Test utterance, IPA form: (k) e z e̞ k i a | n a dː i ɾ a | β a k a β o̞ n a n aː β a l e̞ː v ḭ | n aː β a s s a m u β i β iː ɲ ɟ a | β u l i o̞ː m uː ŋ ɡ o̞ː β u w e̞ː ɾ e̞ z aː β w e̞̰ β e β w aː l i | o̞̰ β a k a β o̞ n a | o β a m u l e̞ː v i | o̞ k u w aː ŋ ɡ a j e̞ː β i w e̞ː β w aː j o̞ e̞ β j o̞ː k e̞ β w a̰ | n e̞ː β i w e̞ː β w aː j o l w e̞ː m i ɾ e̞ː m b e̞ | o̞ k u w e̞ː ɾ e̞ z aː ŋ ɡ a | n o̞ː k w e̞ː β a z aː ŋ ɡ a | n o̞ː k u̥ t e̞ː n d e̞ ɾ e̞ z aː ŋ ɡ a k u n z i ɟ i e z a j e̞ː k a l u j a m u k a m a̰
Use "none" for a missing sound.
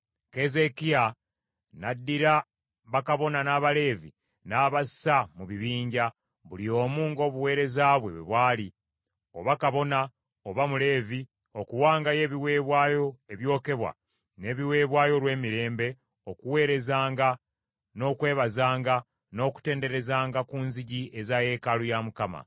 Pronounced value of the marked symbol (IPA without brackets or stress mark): k